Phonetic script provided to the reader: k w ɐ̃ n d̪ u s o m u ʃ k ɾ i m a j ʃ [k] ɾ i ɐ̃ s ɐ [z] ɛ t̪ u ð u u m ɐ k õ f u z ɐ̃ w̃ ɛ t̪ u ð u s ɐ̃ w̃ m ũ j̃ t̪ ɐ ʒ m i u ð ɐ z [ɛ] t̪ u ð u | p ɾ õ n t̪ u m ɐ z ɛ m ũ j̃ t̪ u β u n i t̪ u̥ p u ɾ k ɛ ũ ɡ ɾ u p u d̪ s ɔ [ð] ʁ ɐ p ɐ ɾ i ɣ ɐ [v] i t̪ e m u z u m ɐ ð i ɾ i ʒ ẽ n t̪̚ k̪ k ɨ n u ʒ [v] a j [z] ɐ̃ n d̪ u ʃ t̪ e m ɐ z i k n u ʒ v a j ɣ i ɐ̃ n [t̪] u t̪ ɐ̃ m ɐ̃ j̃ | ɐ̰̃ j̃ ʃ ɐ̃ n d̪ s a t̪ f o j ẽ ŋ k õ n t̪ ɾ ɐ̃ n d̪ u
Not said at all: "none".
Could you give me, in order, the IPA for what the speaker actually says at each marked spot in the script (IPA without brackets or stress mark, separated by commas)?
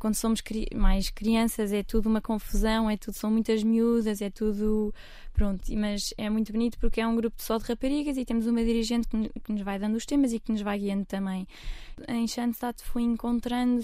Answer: k, z, ɛ, ð, z, v, ð, d̪